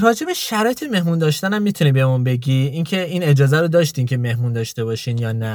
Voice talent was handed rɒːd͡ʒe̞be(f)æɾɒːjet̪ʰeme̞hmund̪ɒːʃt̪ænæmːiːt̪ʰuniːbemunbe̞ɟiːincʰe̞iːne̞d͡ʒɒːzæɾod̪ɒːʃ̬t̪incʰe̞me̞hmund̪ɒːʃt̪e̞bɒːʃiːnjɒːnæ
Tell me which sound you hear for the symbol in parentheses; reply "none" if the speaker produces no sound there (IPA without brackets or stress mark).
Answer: ʃ